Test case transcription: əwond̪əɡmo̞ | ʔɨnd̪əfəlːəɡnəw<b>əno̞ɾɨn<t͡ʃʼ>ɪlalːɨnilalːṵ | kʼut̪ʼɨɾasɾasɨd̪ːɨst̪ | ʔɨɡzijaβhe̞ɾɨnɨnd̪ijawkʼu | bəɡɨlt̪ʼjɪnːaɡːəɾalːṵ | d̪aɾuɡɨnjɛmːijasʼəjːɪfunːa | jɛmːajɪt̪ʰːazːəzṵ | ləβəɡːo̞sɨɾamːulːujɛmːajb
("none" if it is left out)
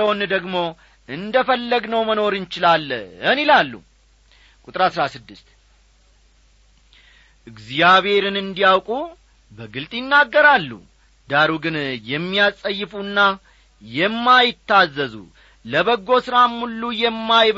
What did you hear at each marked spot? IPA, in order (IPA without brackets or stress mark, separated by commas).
m, t͡ʃ